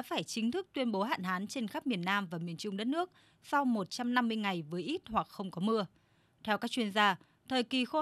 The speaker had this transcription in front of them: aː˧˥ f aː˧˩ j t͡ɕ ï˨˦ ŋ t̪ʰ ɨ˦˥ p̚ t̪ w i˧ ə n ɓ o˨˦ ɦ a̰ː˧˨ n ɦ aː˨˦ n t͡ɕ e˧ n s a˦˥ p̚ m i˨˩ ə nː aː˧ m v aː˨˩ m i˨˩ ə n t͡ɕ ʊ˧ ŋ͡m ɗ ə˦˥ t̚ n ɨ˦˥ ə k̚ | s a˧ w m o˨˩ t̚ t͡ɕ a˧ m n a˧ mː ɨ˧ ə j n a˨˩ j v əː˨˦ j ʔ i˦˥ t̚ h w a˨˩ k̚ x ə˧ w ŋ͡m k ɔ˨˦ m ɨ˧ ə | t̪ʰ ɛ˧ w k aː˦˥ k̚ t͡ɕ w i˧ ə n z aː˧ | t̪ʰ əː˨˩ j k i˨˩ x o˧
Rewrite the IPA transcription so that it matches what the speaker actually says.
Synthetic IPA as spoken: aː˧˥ f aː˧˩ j t͡ɕ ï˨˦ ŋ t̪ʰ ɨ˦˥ k̚ t̪ w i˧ ə n ɓ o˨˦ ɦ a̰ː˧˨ n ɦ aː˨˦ n t͡ɕ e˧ n x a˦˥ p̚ m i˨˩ ə nː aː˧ m v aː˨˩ m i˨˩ ə n t͡ɕ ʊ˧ ŋ͡m ɗ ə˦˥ t̚ n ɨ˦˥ ə k̚ | s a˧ w m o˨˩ t̚ t͡ɕ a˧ m n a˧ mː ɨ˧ ə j ŋ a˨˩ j v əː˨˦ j ʔ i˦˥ t̚ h w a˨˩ k̚ x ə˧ w ŋ͡m k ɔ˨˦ m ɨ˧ ə | t̪ʰ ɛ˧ w k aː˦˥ k̚ t͡ɕ w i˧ ə n z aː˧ | t̪ʰ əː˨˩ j k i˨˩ x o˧